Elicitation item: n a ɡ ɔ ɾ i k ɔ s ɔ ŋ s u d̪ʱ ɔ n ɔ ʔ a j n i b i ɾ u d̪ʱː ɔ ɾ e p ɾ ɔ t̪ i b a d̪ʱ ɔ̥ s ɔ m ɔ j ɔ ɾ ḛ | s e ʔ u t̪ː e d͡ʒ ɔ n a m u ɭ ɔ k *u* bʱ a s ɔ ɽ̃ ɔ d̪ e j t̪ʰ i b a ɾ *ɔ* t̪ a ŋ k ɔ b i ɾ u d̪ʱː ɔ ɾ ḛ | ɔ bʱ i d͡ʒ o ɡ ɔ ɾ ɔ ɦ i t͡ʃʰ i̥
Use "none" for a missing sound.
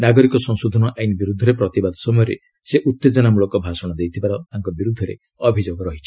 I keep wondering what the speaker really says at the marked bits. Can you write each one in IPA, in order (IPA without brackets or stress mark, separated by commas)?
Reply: ɔ, ɔ